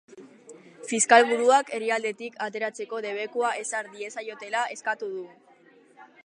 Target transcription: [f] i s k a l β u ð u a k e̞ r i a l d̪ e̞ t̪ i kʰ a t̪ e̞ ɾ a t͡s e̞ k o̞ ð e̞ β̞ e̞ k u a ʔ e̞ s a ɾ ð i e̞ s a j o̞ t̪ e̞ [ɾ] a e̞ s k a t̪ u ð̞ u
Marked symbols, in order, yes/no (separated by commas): yes, no